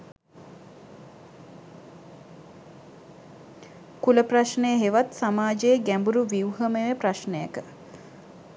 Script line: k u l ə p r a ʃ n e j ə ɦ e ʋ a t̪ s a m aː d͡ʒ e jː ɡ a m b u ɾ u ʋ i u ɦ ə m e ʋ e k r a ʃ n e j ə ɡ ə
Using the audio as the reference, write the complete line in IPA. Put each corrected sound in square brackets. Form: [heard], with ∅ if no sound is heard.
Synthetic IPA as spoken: k u l ə p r a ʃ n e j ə ɦ e ʋ a t̪ s a m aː d͡ʒ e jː ɡ [æ] m b u ɾ u ʋ i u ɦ ə m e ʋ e [p] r a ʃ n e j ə [k] ə